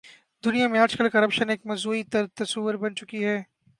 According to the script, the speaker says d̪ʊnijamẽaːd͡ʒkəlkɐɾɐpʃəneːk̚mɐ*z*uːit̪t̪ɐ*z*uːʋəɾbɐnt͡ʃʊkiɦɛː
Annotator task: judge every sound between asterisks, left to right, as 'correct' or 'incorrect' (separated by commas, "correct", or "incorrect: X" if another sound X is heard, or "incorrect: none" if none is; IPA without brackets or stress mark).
correct, incorrect: s